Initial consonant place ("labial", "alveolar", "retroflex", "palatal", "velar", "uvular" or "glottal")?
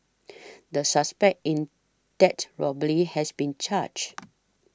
alveolar